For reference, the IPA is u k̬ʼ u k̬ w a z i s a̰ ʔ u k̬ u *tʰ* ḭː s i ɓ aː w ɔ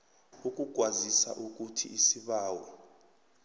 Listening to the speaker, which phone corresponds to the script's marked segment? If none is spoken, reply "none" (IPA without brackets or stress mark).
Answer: tʰ